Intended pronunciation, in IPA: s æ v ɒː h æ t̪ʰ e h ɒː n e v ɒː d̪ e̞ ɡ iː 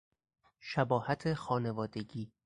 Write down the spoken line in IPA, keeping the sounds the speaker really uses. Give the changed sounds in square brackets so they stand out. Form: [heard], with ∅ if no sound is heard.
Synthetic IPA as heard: [ʃ] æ [b] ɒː h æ t̪ʰ e [x] ɒː n e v ɒː d̪ e̞ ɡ iː